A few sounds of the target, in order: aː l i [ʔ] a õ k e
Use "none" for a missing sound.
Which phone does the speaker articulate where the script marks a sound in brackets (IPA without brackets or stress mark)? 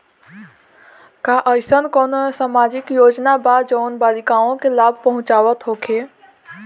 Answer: k